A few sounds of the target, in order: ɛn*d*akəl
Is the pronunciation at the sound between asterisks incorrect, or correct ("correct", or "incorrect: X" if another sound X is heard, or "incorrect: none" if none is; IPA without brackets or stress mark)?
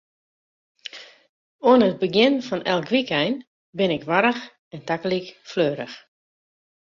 incorrect: t